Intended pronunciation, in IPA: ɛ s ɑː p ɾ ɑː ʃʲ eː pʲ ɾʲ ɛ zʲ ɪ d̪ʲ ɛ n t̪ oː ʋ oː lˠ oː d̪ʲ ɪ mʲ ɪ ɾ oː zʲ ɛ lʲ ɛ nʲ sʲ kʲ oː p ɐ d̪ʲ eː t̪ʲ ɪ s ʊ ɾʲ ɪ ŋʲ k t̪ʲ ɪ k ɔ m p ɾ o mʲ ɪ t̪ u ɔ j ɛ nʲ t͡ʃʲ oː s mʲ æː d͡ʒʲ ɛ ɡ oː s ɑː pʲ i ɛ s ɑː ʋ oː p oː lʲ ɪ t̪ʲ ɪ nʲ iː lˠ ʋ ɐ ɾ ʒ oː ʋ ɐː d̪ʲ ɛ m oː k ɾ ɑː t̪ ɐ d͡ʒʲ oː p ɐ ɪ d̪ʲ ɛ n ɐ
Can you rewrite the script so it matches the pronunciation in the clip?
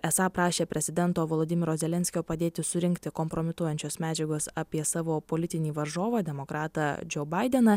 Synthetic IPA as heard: ɛ s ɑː p ɾ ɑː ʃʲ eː pʲ ɾʲ ɛ zʲ ɪ d̪ʲ ɛ n t̪ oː ʋ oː lˠ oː d̪ʲ ɪ mʲ ɪ ɾ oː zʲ ɛ lʲ ɛ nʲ sʲ kʲ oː p ɐ d̪ʲ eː t̪ʲ ɪ s ʊ ɾʲ ɪ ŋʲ k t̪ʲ ɪ k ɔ m p ɾ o mʲ ɪ t̪ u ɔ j ɛ nʲ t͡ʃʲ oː s mʲ æː d͡ʒʲ ɛ ɡ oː s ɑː pʲ i ɛ s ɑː ʋ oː p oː lʲ ɪ t̪ʲ ɪ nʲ iː ʋ ɐ ɾ ʒ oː ʋ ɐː d̪ʲ ɛ m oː k ɾ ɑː t̪ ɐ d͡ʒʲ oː b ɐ ɪ d̪ʲ ɛ n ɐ